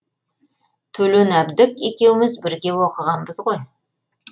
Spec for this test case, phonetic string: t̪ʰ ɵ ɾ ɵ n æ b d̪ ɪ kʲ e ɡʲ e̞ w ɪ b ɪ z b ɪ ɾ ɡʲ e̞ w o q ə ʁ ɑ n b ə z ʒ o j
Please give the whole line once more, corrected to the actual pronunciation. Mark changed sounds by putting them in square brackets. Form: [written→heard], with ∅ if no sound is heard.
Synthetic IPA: t̪ʰ ɵ [ɾ→l] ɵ n æ b d̪ ɪ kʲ e [ɡʲ→kʲ] e̞ w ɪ [b→m] ɪ z b ɪ ɾ ɡʲ e̞ w o q ə ʁ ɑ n b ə z [ʒ→ʁ] o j